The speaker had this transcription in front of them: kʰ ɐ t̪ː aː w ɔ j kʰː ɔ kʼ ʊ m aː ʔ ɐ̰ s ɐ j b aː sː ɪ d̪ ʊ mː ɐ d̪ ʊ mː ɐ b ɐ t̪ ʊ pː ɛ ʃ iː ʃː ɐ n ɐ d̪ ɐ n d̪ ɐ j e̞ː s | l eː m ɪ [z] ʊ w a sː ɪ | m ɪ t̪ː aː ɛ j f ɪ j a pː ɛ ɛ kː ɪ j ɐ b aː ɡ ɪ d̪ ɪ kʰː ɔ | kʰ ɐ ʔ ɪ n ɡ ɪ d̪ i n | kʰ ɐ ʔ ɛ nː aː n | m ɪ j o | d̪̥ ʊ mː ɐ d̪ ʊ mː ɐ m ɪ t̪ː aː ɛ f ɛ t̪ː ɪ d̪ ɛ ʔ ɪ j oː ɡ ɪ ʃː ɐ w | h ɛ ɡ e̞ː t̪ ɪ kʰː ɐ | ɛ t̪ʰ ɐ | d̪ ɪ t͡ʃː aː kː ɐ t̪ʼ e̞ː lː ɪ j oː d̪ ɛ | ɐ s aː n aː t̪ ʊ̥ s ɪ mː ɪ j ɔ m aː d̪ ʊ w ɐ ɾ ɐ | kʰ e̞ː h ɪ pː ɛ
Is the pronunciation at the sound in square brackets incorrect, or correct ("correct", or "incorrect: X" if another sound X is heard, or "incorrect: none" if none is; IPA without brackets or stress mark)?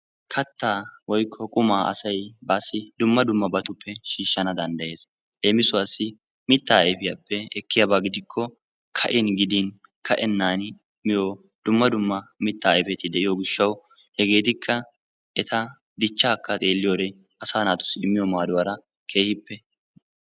incorrect: s